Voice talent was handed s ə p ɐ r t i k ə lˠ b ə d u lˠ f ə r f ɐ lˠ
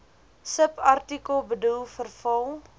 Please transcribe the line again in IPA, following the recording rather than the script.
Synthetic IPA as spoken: s ə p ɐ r t i k ə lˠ b ə d u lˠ f ə r f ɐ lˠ

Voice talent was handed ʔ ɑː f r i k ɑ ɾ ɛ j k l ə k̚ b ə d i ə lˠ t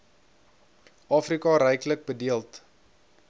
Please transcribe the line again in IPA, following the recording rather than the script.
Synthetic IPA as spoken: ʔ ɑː f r i k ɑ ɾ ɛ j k l ə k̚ b ə d i ə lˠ t

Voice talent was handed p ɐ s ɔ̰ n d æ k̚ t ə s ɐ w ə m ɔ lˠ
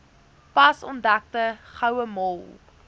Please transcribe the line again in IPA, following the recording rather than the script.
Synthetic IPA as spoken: p ɐ s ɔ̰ n d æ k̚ t ə χ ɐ w ə m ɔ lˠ

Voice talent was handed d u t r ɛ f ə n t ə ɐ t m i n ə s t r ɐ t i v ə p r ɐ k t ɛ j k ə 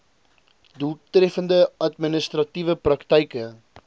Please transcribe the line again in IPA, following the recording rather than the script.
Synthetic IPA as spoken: d u t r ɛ f ə n d ə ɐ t m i n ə s t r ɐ t i v ə p r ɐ k t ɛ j k ə

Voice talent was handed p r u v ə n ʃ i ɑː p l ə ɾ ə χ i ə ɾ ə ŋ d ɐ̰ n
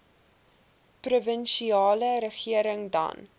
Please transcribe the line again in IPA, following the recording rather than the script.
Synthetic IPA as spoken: p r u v ə n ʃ i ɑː l ə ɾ ə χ i ə ɾ ə ŋ d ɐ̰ n

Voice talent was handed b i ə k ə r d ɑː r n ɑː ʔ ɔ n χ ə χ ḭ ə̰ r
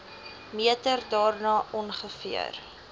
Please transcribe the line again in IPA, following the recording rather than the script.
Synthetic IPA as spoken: m i ə t ə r d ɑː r n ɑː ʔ ɔ n χ ə f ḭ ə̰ r

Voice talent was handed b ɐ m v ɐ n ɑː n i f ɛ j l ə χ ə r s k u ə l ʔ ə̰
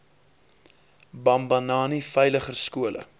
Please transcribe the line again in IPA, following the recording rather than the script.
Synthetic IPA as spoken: b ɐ m b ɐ n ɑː n i f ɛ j l ə χ ə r s k u ə l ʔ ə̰

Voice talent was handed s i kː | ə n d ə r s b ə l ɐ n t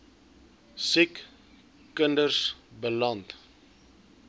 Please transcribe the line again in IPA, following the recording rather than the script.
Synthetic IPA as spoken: s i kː | ə n d ə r s b ə l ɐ n t

